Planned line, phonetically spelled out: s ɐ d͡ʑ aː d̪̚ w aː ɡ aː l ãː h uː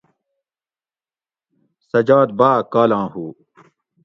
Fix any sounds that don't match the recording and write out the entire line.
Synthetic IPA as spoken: s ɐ d͡ʑ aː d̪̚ b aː k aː l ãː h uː